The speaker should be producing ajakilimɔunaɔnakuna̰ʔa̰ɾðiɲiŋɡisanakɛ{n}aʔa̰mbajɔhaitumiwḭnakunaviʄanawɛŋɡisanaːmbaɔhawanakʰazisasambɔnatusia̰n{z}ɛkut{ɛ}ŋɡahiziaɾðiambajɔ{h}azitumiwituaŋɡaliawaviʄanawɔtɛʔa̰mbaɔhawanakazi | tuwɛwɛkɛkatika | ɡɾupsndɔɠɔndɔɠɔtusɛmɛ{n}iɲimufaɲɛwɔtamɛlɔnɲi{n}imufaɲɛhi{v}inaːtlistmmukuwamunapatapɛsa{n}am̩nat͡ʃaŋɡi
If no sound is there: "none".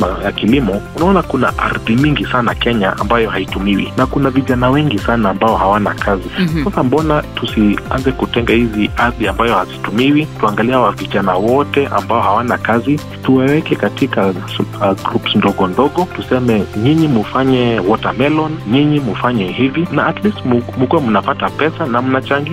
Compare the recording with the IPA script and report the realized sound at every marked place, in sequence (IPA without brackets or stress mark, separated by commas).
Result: ɲ, z, ɛ, h, ɲ, ɲ, v, n